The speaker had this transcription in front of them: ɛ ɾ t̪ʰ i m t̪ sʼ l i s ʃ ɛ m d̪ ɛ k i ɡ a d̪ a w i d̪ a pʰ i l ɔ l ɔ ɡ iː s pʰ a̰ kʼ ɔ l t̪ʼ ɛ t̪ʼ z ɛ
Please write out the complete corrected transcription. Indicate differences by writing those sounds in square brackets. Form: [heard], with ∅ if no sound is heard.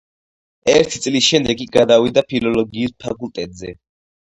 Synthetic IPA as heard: ɛ ɾ t̪ʰ i [∅] t̪ sʼ l i s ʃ ɛ m d̪ ɛ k i ɡ a d̪ a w i d̪ a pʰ i l ɔ l ɔ ɡ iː s pʰ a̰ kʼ [u] l t̪ʼ ɛ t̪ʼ z ɛ